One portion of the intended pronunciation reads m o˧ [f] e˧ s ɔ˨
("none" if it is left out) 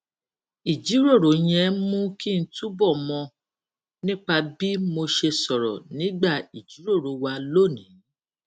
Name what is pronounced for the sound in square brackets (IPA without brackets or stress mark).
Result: ʃ